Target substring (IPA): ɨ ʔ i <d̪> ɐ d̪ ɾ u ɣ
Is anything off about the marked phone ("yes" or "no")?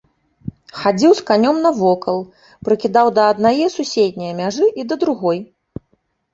no